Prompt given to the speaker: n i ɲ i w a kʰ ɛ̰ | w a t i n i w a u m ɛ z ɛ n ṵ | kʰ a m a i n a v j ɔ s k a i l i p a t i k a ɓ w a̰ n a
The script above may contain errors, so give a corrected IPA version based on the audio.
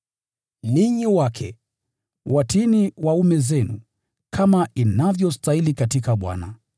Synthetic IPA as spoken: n i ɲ i w a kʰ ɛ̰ | w a t i n i w a u m ɛ z ɛ n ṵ | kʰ a m a i n a v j ɔ s t a i l i k a t i k a ɓ w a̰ n a

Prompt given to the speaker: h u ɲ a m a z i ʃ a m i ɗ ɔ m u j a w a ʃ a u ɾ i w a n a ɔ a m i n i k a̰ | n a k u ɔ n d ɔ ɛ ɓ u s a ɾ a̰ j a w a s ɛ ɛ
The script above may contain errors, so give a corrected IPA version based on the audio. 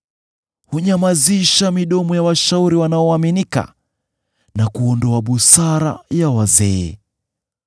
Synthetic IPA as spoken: h u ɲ a m a z i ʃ a m i ɗ ɔ m ɔ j a w a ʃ a u ɾ i w a n a ɔ a m i n i k a̰ | n a k u ɔ n d ɔ a ɓ u s a ɾ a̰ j a w a z ɛ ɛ

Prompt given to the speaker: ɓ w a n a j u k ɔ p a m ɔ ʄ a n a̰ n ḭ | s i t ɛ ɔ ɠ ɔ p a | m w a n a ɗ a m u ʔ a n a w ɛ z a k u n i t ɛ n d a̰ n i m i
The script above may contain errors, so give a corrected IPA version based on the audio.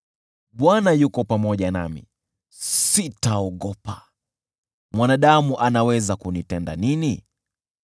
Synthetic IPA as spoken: ɓ w a n a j u k ɔ p a m ɔ ʄ a n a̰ m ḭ | s i t a ɔ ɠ ɔ p a | m w a n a ɗ a m u ʔ a n a w ɛ z a k u n i t ɛ n d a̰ n i n i

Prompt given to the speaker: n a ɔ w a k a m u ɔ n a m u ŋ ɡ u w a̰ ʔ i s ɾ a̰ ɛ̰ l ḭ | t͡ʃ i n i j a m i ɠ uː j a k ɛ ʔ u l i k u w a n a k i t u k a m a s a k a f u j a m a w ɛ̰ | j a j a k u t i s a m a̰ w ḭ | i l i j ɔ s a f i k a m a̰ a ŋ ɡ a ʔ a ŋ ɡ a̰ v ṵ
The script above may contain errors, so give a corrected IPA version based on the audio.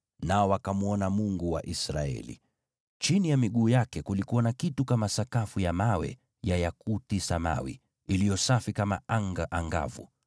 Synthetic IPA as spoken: n a ɔ w a k a m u ɔ n a m u ŋ ɡ u w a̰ ʔ i s ɾ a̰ ɛ̰ l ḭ | t͡ʃ i n i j a m i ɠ uː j a k ɛ k u l i k u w a n a k i t u k a m a s a k a f u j a m a w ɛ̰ | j a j a k u t i s a m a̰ w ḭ | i l i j ɔ s a f i k a m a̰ a ŋ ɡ a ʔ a ŋ ɡ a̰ v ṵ

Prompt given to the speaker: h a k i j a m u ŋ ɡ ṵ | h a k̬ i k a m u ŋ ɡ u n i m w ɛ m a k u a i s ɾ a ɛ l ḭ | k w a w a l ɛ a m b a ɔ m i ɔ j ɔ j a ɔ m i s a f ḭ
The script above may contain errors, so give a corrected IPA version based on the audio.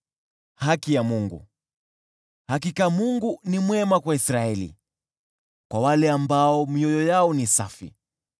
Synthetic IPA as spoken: h a k i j a m u ŋ ɡ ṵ | h a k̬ i k a m u ŋ ɡ u n i m w ɛ m a k w a i s ɾ a ɛ l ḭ | k w a w a l ɛ a m b a ɔ m i ɔ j ɔ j a ɔ n i s a f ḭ

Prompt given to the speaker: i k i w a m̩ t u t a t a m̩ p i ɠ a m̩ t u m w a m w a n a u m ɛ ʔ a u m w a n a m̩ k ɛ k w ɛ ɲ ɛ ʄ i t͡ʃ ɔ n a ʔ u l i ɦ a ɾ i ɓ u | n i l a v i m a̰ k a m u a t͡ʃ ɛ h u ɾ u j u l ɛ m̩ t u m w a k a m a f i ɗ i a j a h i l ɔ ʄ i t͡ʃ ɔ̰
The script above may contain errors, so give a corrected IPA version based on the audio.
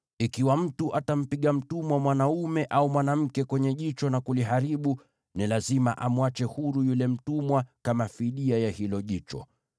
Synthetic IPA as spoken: i k i w a m̩ t u ʔ a t a m̩ p i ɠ a m̩ t u m w a m w a n a u m ɛ ʔ a u m w a n a m̩ k ɛ k w ɛ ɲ ɛ ʄ i t͡ʃ ɔ n a k u l i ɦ a ɾ i ɓ u | n i l a z i m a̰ ʔ a m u a t͡ʃ ɛ h u ɾ u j u l ɛ m̩ t u m w a k a m a f i ɗ i a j a h i l ɔ ʄ i t͡ʃ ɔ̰

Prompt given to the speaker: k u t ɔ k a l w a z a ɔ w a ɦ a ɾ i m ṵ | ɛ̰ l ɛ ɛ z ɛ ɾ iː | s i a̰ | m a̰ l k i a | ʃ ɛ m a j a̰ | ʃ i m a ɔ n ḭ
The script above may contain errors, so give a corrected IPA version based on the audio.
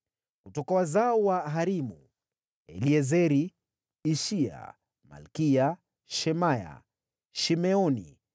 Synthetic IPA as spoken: k u t ɔ k a w a z a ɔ w a ɦ a ɾ i m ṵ | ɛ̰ l i ɛ z ɛ ɾ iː | ʃ i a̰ | m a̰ l k i a | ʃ ɛ m a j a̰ | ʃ i m ɛ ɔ n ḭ

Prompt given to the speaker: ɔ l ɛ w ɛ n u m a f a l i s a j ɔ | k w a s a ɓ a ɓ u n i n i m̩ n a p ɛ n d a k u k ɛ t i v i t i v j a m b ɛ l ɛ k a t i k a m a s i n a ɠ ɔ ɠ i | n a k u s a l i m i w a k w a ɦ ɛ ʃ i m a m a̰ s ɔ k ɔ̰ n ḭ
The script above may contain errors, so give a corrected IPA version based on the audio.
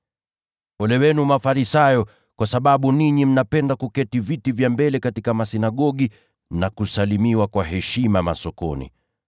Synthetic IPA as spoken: ɔ l ɛ w ɛ n u m a f a ɾ i s a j ɔ | k w a s a ɓ a ɓ u n i ɲ i m̩ n a p ɛ n d a k u k ɛ t i v i t i v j a m b ɛ l ɛ k a t i k a m a s i n a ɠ ɔ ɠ i | n a k u s a l i m i w a k w a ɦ ɛ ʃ i m a m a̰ s ɔ k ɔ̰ n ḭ

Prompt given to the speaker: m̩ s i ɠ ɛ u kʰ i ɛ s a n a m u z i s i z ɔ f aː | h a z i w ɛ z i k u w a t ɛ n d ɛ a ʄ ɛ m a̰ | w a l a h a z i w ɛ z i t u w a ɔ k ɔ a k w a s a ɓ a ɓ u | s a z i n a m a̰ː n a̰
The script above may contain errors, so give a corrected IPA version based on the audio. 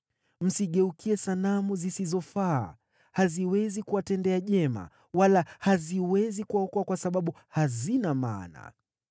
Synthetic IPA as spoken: m̩ s i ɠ ɛ u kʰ i ɛ s a n a m u z i s i z ɔ f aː | h a z i w ɛ z i k u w a t ɛ n d ɛ a ʄ ɛ m a̰ | w a l a h a z i w ɛ z i k u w a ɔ k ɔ a k w a s a ɓ a ɓ u | h a z i n a m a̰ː n a̰

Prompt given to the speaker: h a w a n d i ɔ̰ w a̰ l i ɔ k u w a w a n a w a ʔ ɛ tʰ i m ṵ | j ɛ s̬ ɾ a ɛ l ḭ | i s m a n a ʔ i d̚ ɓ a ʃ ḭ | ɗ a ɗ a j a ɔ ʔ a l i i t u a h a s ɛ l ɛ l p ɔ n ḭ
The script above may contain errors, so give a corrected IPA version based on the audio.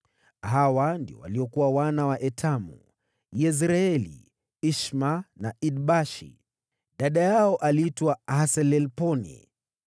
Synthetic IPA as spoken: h a w a n d i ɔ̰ w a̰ l i ɔ k u w a w a n a w a ʔ ɛ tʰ a m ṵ | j ɛ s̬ ɾ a ɛ l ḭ | i ʃ m a n a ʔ i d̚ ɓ a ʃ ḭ | ɗ a ɗ a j a ɔ ʔ a l i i t w a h a s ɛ l ɛ l p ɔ n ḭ

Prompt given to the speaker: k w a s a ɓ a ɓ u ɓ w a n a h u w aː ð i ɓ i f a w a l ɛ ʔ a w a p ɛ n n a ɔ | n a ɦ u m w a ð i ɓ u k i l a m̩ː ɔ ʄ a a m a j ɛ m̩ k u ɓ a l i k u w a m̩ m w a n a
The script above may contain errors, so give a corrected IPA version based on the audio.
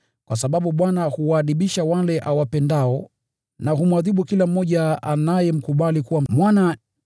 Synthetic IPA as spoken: k w a s a ɓ a ɓ u ɓ w a n a h u w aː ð i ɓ i ʃ a w a l ɛ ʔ a w a p ɛ n d a ɔ | n a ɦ u m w a ð i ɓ u k i l a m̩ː ɔ ʄ a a n a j ɛ m̩ k u ɓ a l i k u w a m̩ m w a n a

